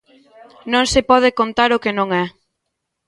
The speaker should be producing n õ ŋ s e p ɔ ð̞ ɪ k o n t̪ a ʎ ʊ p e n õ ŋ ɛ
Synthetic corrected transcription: n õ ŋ s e p ɔ ð̞ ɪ k o n t̪ a ɾ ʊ k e n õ ŋ ɛ